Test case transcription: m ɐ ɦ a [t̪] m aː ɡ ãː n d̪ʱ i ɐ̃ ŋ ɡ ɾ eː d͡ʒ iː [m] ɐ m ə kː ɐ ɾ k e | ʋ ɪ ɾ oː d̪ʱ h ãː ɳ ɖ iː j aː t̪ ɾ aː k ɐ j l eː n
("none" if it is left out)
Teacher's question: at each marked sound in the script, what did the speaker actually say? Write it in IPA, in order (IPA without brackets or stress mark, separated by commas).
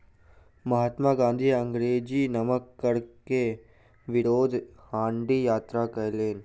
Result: t̪, n